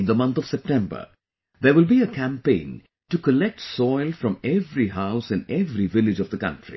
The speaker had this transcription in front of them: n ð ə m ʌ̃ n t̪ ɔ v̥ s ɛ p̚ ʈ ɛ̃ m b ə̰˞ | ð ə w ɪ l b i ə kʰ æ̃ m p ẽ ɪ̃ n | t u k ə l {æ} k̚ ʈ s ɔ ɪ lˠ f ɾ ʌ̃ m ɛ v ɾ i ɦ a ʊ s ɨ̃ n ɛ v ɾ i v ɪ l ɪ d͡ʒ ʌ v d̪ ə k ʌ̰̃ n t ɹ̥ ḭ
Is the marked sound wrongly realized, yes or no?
yes